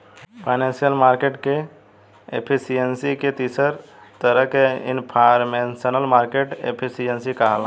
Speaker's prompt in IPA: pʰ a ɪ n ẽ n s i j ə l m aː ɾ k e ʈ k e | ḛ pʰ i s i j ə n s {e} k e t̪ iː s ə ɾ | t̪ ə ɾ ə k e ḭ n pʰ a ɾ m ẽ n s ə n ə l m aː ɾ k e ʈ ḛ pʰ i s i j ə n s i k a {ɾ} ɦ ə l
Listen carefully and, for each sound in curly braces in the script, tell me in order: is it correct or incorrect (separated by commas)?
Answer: incorrect, incorrect